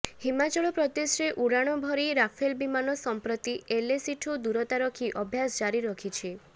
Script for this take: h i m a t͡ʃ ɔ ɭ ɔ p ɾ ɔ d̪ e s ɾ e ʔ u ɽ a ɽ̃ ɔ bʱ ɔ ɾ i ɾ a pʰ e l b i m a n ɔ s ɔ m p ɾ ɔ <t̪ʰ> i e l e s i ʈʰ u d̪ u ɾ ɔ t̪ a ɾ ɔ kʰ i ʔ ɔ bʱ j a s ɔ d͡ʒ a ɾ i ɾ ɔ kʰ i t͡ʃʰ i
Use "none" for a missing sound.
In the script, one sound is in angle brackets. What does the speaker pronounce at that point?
t̪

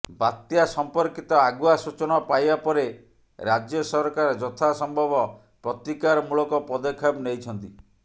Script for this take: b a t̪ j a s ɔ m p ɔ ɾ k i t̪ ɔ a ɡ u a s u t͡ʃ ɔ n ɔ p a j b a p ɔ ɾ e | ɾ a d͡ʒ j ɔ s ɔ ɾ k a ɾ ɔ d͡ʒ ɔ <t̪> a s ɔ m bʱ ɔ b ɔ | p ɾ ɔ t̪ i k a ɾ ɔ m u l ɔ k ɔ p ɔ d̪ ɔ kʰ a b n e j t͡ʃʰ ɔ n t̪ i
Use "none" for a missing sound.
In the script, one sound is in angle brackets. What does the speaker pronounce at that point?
t̪ʰ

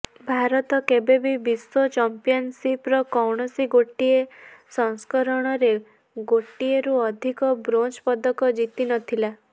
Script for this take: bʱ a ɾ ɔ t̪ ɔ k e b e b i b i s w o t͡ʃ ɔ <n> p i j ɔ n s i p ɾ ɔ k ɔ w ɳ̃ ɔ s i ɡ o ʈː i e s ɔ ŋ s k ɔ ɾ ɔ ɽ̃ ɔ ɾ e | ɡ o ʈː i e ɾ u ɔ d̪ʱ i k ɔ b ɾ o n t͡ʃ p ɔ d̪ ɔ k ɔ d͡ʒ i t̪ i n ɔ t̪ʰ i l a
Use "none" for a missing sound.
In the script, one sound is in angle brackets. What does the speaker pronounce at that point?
m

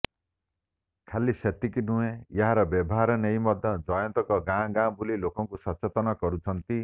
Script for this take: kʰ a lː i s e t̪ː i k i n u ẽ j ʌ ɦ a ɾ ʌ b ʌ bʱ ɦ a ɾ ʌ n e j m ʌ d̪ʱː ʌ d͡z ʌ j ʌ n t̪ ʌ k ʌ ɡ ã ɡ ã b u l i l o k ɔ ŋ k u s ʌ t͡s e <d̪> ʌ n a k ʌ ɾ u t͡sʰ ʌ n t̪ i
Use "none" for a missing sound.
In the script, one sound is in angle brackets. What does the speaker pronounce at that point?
t̪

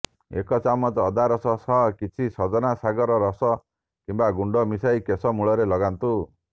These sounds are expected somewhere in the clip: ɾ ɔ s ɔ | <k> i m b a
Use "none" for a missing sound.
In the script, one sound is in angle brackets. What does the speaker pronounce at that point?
k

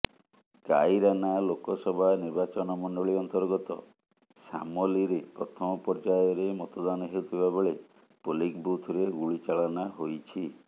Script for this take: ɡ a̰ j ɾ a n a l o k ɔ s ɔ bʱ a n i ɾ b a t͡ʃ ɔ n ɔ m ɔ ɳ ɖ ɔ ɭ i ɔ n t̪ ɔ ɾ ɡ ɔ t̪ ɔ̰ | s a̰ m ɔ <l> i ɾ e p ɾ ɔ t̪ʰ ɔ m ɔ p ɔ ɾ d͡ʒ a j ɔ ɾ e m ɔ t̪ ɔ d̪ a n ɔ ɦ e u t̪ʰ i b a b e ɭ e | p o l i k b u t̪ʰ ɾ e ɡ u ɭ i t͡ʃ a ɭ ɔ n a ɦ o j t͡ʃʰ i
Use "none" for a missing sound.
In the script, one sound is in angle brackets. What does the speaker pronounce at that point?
l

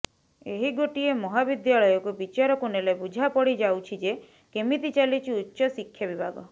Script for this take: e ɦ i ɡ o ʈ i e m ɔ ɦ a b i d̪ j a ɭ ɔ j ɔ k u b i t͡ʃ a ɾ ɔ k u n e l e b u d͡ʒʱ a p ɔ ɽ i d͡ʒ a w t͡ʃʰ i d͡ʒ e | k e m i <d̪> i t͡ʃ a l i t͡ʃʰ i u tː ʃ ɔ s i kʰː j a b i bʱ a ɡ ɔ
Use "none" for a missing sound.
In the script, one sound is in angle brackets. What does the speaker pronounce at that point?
t̪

